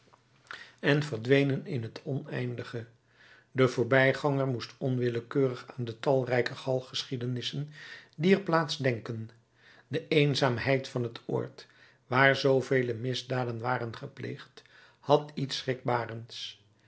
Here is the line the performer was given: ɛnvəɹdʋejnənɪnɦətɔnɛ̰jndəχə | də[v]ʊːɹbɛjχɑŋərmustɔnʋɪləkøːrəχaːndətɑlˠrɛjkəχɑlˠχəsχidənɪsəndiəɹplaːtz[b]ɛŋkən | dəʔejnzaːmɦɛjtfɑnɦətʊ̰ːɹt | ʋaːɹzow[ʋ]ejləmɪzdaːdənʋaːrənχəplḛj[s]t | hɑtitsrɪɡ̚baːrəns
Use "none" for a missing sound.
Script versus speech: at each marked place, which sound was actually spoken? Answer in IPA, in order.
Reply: v, d, v, χ

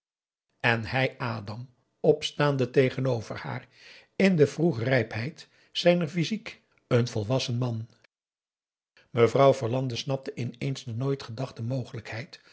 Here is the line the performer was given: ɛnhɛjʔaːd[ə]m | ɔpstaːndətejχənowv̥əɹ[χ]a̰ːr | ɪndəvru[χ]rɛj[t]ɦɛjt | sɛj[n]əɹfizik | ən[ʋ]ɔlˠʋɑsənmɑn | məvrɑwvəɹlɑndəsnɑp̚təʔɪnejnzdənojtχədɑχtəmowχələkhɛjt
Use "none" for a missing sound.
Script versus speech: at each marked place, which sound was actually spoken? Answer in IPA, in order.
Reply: ɑ, h, χ, p, n, v

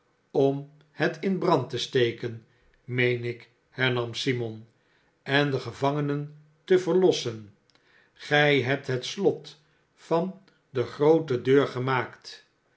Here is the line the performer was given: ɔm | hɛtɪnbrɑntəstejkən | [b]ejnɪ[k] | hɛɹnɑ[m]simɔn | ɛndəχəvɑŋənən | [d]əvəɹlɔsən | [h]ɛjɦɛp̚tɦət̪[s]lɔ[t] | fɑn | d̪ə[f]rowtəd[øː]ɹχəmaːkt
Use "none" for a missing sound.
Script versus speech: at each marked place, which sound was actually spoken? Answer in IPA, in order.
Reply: m, k, m, t, χ, s, t, χ, øː

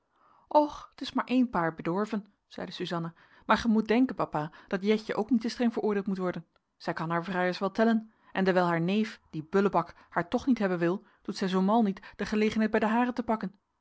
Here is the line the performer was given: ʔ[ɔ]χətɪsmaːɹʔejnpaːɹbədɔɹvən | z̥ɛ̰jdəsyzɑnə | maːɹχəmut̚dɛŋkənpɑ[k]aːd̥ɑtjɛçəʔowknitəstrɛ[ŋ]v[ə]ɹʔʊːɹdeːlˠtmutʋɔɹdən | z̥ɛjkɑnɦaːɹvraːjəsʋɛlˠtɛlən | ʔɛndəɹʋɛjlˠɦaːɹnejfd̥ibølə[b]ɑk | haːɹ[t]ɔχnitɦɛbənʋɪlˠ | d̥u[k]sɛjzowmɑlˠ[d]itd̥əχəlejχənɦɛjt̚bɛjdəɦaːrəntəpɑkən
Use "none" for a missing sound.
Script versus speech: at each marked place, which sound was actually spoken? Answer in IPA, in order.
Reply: ɔ, p, ŋ, ə, b, t, t, n

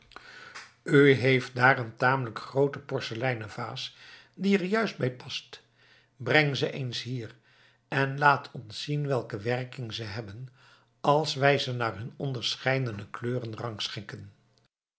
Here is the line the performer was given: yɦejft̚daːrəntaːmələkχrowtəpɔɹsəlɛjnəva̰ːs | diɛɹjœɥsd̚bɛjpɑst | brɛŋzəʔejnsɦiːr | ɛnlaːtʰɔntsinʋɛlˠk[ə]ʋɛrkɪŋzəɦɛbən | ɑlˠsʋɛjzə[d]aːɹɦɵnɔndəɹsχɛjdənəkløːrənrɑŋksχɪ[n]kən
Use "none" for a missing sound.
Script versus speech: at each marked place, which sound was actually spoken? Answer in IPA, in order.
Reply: ə, n, ŋ

